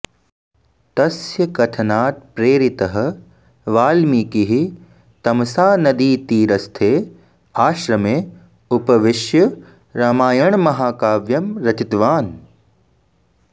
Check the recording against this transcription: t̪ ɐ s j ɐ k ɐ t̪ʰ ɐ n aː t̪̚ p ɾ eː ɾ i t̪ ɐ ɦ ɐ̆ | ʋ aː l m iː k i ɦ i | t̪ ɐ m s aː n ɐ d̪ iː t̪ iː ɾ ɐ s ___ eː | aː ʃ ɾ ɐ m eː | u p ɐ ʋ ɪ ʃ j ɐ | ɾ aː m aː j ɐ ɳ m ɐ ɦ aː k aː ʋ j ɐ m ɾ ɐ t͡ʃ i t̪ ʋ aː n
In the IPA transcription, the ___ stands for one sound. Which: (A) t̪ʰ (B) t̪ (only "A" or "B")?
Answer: A